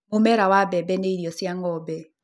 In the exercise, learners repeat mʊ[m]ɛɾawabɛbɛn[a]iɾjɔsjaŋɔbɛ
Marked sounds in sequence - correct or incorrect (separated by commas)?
correct, incorrect